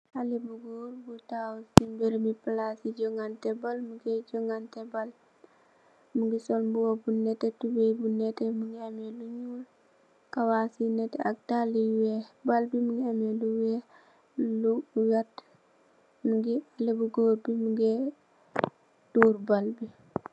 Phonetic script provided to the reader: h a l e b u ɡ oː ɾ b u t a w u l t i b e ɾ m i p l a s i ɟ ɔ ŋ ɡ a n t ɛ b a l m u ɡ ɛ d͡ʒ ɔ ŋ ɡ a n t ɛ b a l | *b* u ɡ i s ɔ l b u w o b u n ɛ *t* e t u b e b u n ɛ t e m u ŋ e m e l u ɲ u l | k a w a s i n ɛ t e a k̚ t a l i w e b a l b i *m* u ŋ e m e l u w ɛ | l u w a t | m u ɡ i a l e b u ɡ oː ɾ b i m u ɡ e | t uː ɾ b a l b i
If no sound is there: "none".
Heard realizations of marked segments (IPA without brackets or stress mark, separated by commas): m, t, m